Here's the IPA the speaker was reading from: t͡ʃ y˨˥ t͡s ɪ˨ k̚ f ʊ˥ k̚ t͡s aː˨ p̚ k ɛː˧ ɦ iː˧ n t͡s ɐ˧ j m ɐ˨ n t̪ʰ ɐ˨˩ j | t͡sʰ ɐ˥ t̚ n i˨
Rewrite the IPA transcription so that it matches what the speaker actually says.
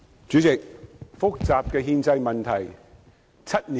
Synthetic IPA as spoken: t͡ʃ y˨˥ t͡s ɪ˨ k̚ f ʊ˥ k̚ t͡s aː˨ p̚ k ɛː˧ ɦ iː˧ n t͡s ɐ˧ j m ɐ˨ n t̪ʰ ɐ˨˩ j | t͡sʰ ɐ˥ t̚ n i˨